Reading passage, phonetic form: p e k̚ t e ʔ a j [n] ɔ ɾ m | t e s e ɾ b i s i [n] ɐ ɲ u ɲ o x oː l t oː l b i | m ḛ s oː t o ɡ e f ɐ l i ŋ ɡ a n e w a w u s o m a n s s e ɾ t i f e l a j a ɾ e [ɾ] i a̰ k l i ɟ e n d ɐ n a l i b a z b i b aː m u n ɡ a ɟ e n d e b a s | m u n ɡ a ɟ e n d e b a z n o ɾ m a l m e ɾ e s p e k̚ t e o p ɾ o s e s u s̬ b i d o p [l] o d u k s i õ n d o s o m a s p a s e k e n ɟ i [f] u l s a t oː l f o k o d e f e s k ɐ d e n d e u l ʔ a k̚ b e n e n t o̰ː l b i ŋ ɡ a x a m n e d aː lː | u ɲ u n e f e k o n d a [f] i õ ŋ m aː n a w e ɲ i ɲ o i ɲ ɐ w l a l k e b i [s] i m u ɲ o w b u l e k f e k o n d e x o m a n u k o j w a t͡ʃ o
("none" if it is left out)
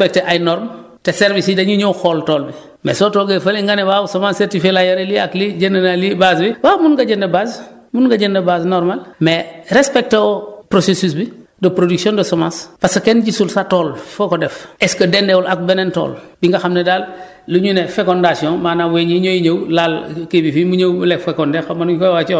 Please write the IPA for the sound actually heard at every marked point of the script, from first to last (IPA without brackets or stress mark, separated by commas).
n, d, l, ɾ, s, s, f